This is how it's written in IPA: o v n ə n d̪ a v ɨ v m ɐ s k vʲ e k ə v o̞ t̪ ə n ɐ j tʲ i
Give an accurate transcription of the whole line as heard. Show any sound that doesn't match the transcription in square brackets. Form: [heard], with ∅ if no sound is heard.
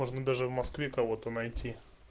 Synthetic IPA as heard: o [ʐ] n ə [∅] d̪ a [ʐ] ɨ v m ɐ s k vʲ e k [ɐ] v o̞ t̪ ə n ɐ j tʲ i